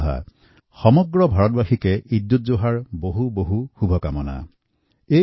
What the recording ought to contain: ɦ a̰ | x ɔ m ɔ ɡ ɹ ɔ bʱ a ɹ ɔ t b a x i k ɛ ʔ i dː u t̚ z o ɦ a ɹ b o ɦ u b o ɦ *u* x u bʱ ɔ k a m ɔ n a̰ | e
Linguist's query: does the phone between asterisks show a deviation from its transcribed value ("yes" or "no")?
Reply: no